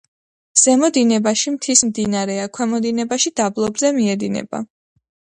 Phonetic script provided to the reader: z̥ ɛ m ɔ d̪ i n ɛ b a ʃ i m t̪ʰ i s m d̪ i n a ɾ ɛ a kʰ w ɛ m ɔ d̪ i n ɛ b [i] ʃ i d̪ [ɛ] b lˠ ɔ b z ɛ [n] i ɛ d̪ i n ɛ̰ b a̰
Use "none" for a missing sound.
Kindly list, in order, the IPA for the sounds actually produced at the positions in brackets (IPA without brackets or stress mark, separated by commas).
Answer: a, a, m